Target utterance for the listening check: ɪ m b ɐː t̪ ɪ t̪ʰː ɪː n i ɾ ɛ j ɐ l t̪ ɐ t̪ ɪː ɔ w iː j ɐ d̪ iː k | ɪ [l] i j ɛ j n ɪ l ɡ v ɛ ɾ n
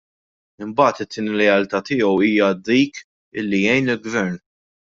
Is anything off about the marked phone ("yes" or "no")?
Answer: yes